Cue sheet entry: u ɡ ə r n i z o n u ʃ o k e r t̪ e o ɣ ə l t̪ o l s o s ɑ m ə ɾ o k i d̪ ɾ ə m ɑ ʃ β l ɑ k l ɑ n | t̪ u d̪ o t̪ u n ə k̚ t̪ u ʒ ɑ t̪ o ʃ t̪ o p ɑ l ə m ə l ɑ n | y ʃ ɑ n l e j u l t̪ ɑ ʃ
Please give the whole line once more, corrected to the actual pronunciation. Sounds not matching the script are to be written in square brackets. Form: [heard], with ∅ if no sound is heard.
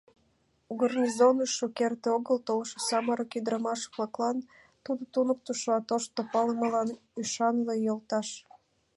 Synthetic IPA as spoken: u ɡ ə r n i z o n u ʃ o k e r t̪ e o ɣ ə l t̪ o l [ʃ] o s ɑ m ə ɾ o k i d̪ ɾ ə m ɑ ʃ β l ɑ k l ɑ n | t̪ u d̪ o t̪ u n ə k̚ t̪ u [ʃ] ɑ t̪ o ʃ t̪ o p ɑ l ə m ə l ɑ n | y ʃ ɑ n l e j [o] l t̪ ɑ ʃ